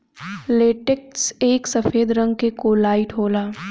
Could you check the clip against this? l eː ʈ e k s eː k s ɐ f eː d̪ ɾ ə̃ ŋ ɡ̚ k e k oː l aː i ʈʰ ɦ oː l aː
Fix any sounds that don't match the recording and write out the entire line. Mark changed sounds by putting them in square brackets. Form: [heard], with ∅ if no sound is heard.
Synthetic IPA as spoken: l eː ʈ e k s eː k s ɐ f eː d̪ ɾ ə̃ ŋ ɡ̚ k e k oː l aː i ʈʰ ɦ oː l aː